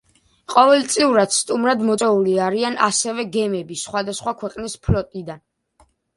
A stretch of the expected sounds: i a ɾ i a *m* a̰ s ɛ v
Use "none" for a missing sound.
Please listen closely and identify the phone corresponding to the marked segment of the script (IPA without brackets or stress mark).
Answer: n